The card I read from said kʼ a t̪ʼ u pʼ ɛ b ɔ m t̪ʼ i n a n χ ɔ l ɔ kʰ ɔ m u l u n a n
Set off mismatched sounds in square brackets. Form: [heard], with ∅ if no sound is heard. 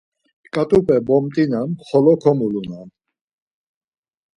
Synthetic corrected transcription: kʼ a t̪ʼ u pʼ ɛ b ɔ m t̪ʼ i n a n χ ɔ l ɔ kʰ ɔ m u l u n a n